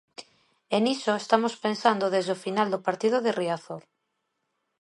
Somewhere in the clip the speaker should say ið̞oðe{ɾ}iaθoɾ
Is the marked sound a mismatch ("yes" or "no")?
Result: yes